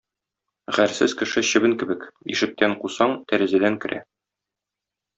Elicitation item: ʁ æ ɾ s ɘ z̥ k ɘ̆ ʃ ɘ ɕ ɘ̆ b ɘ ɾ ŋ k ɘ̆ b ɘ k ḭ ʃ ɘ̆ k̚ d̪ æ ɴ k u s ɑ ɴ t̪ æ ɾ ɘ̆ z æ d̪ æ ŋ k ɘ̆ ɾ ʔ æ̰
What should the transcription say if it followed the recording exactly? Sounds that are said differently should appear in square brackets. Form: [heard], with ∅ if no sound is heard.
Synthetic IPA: ʁ æ ɾ s ɘ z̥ k ɘ̆ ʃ ɘ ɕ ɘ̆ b ɘ [∅] ŋ k ɘ̆ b ɘ k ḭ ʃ ɘ̆ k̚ [t̪] æ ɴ [q] u s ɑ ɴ t̪ æ ɾ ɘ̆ z æ d̪ æ ŋ k ɘ̆ ɾ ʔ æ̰